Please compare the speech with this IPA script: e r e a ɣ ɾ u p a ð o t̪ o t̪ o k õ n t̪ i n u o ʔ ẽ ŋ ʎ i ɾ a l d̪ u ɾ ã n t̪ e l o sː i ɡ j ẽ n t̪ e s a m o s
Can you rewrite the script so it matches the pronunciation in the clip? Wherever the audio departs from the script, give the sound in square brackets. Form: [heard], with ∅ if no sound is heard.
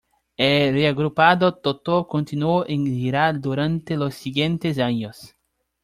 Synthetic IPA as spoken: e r e a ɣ ɾ u p a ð o t̪ o t̪ o k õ n t̪ i n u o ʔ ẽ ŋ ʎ i ɾ a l d̪ u ɾ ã n t̪ e l o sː i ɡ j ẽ n t̪ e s a [ɲ] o s